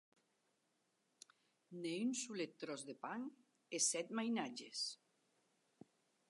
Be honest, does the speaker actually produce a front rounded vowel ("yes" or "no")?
yes